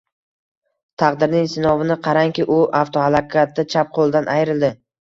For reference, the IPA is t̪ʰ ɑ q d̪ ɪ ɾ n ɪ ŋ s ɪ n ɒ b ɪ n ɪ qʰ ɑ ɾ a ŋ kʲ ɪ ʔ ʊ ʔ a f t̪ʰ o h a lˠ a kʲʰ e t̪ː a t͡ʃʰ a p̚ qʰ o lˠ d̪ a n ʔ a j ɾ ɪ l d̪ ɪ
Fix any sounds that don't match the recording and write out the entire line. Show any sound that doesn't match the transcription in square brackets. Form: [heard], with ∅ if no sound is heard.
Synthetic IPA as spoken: t̪ʰ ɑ q d̪ ɪ ɾ n ɪ ŋ s ɪ n ɒ [v] ɪ n ɪ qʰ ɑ ɾ a ŋ kʲ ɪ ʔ ʊ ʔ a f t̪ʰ o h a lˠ a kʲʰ [a] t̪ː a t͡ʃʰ a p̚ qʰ o lˠ d̪ a n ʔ a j ɾ ɪ l d̪ ɪ